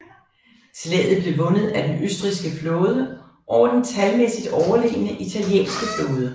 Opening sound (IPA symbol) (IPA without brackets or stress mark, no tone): t͡sʰ